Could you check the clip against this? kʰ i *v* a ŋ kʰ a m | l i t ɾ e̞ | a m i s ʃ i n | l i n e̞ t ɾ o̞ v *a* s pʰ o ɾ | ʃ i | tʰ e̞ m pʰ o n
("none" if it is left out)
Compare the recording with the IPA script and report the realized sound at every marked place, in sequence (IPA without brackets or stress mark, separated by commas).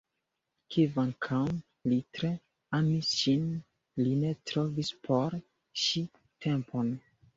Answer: v, i